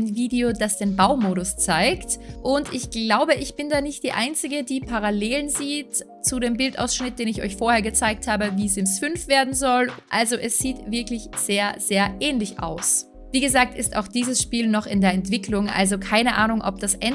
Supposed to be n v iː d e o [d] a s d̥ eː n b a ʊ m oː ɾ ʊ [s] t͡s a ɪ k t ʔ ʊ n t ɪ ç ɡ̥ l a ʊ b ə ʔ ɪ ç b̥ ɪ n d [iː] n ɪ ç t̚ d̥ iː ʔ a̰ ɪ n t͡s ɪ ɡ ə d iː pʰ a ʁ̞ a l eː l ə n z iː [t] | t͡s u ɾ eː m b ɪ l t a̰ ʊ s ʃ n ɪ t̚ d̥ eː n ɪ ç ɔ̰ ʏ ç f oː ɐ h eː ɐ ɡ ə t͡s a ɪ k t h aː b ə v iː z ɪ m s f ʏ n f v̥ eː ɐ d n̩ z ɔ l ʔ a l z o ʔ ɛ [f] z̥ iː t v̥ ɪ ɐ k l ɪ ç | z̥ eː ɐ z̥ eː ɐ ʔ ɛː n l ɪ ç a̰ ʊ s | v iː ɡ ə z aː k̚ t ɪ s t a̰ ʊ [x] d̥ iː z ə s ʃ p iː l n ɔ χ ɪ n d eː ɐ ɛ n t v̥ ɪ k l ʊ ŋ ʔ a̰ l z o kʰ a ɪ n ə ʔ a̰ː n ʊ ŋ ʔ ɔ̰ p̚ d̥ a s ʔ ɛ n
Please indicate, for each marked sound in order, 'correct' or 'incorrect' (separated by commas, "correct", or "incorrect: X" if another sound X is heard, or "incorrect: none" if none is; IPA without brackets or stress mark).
correct, correct, incorrect: aː, correct, incorrect: s, correct